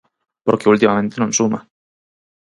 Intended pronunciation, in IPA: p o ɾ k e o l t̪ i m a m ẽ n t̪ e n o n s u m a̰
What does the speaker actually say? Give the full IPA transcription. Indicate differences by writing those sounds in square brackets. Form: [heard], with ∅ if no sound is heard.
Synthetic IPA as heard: p o ɾ k e [u] l t̪ i m a m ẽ n t̪ e n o n s u m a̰